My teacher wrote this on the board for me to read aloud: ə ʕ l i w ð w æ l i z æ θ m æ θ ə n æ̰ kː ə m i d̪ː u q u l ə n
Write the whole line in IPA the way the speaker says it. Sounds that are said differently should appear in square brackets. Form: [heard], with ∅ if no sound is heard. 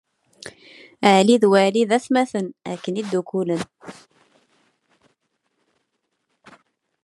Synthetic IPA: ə ʕ l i [∅] ð w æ l i [ð] æ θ m æ θ ə n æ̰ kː ə [n] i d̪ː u [k] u l ə n